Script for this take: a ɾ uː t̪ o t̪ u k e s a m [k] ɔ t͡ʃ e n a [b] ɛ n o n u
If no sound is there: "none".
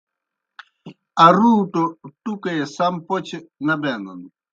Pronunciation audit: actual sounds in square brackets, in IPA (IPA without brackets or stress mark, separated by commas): p, b